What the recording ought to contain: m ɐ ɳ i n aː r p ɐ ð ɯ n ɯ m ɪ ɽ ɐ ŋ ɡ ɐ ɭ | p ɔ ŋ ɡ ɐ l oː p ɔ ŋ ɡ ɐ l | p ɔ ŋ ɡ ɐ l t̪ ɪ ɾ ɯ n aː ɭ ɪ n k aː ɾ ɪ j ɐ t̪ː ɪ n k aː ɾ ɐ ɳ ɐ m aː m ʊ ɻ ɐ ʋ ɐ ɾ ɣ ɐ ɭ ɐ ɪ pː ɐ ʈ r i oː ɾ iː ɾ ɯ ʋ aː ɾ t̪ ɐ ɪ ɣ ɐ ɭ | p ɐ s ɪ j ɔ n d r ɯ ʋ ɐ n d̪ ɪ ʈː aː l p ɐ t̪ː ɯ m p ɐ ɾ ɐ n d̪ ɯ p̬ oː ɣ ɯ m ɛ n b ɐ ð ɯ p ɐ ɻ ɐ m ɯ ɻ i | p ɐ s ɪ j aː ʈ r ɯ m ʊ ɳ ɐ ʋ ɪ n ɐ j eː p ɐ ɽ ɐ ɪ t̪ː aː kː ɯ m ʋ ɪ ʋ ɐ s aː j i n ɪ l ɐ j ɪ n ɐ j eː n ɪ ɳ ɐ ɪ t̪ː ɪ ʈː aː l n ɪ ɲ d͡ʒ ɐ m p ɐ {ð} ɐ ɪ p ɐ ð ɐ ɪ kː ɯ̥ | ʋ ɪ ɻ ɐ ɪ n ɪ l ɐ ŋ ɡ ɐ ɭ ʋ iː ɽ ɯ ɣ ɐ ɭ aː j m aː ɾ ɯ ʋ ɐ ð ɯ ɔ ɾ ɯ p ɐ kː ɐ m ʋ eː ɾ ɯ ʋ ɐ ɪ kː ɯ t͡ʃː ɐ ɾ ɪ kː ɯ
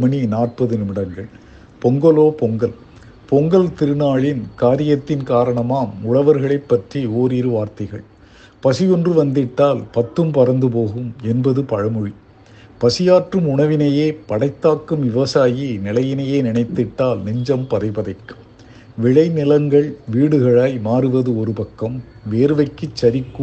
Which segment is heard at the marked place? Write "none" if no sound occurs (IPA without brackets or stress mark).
ð